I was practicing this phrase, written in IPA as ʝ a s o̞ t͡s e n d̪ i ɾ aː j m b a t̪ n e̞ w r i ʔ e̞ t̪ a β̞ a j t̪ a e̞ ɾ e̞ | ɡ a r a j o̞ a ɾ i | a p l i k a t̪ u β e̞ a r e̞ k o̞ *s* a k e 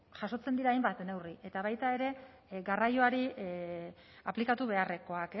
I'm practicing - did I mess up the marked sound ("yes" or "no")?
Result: yes